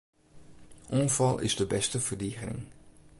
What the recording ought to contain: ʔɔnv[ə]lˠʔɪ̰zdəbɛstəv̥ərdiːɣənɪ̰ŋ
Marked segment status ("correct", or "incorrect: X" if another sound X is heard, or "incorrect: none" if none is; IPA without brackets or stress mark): incorrect: ɑ